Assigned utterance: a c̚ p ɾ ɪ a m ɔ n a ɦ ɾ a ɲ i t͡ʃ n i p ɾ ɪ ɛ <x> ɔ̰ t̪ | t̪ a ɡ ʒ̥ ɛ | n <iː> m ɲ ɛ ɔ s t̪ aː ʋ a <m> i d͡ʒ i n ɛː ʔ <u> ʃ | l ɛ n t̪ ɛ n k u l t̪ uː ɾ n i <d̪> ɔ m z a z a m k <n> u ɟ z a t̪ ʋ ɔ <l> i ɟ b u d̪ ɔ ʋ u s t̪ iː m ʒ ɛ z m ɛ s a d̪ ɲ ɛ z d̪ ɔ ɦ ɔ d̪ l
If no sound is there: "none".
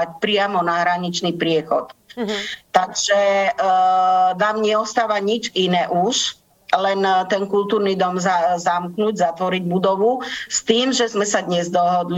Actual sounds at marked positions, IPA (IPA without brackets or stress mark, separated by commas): x, aː, ɲ, u, d̪, n, ɾ